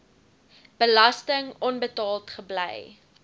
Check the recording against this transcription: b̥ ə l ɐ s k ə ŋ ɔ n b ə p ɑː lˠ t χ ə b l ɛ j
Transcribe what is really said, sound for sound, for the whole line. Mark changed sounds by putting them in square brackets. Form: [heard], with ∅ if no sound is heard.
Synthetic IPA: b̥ ə l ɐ s [t] ə ŋ ɔ n b ə [t] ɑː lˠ t χ ə b l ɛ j